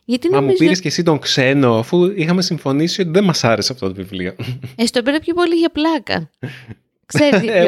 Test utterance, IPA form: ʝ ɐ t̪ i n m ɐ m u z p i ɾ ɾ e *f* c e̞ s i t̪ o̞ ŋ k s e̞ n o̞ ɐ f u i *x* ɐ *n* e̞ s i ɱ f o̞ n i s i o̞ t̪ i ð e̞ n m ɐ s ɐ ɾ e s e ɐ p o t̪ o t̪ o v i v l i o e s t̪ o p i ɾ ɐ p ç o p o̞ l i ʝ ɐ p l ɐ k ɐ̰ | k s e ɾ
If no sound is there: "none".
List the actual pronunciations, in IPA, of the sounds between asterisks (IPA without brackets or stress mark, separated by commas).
s, x, m